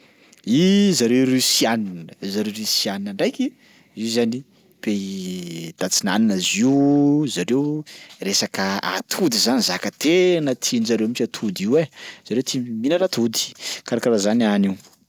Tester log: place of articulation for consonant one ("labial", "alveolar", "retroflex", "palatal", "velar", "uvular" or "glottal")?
alveolar